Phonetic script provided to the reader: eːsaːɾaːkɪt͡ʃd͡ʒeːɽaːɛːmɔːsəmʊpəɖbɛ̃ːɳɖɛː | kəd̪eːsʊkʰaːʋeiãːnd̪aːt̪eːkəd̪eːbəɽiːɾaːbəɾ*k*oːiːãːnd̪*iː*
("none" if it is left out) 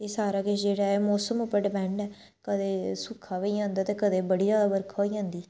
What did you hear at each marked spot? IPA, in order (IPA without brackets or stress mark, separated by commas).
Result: kʰ, iː